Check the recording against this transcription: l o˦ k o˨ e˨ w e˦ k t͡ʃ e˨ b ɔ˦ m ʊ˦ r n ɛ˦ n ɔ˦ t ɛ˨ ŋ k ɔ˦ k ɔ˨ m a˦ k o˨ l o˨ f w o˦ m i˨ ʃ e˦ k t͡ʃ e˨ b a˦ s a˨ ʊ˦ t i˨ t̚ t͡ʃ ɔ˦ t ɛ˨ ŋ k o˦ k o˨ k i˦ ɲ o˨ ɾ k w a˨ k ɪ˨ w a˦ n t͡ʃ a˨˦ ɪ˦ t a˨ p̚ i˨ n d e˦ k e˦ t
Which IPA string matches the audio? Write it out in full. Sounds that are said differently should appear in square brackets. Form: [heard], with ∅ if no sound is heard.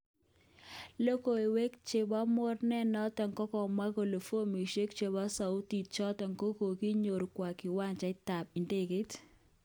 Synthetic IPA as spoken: l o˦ k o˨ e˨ w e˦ k t͡ʃ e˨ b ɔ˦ m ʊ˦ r n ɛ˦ n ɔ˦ t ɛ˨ ŋ k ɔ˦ k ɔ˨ m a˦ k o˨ l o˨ f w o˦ m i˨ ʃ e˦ k t͡ʃ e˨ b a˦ s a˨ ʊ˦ t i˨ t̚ t͡ʃ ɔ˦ t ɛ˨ ŋ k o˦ k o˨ k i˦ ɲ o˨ ɾ k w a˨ k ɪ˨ w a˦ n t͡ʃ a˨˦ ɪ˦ t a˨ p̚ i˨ n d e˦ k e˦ t